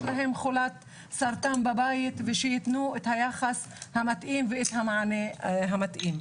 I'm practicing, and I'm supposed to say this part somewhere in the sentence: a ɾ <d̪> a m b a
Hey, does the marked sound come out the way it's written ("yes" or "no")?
no